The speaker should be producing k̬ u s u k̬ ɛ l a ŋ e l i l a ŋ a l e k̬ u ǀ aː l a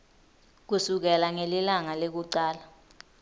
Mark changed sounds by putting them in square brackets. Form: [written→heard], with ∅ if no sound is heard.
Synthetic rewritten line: k̬ u s u k̬ ɛ l a ŋ e l i l a ŋ a l e k̬ u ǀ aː l a